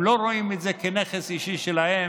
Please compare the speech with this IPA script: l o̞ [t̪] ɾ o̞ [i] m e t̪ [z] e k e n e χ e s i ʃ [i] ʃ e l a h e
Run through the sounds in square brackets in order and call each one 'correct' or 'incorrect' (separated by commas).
incorrect, correct, correct, correct